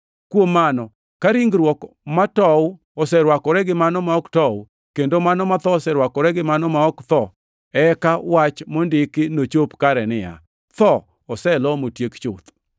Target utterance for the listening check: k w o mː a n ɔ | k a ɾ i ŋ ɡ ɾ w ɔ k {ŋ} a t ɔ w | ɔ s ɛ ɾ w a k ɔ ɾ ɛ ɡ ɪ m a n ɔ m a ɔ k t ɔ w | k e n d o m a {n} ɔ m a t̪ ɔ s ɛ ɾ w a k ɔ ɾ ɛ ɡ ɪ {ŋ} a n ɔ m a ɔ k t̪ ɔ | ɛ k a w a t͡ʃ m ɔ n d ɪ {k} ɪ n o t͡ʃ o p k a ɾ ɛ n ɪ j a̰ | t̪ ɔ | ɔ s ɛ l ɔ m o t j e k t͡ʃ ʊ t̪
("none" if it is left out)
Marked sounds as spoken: m, n, m, k

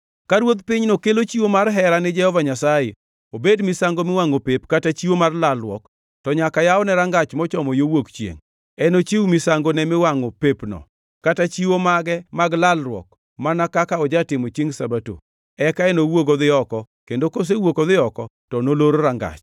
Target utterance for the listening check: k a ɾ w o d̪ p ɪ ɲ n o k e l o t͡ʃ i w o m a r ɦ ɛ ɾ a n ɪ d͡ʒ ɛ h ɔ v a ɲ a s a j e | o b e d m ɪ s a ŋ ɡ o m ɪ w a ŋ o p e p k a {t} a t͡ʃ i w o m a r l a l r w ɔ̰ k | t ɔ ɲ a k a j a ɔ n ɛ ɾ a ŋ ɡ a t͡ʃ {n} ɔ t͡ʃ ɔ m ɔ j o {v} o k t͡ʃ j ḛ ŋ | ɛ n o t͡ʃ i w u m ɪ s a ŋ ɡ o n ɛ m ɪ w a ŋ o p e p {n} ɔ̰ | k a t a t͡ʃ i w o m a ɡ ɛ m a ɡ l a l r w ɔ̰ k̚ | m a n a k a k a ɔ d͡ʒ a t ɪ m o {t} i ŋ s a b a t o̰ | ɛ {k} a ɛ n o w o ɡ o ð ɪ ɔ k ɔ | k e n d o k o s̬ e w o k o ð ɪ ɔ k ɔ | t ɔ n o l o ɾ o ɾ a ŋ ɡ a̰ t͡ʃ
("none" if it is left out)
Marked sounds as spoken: t, m, w, n, t͡ʃ, k

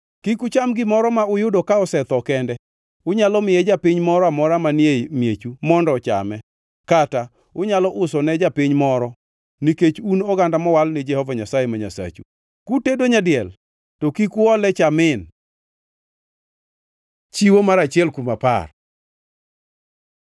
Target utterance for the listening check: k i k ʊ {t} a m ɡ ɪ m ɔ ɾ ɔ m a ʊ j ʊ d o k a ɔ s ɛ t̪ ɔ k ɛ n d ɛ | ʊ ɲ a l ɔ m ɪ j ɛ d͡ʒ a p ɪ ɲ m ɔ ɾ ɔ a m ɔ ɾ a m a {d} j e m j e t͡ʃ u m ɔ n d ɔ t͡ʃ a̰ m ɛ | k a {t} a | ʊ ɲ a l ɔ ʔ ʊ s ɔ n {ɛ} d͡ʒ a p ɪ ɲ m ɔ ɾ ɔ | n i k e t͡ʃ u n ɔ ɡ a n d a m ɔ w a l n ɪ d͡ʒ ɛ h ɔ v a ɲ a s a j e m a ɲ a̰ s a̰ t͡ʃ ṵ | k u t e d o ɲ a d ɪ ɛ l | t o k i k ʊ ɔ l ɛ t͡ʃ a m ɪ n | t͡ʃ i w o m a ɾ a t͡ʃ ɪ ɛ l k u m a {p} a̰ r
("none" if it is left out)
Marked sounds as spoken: t͡ʃ, n, t, ɛ, p

